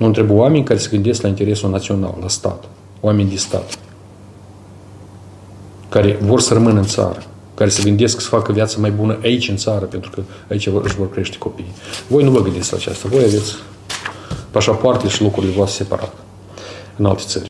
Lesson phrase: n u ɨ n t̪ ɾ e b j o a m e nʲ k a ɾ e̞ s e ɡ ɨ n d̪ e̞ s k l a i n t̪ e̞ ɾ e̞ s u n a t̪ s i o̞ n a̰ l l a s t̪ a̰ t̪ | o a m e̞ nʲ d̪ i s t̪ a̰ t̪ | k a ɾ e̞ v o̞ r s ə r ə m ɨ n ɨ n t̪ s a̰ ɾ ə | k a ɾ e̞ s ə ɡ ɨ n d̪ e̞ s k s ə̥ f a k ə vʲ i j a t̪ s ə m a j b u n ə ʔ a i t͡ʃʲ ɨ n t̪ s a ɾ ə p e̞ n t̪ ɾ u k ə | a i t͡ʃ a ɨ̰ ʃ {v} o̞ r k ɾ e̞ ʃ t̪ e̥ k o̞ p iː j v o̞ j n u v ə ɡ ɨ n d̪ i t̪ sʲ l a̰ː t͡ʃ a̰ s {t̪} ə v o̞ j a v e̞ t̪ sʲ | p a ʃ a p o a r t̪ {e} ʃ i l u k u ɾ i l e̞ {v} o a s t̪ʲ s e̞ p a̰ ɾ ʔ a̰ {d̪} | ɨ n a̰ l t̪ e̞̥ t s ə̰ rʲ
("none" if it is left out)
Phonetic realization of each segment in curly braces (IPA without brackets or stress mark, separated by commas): v, t̪, e, v, t̪